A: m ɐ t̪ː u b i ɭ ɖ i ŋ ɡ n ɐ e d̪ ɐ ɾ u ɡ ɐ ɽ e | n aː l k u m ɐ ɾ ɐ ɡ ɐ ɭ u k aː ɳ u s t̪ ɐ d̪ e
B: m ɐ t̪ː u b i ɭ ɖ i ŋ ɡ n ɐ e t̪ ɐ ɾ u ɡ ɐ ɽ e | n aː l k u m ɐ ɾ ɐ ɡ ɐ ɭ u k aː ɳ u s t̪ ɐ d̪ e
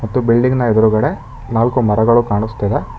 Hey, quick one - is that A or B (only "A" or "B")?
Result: A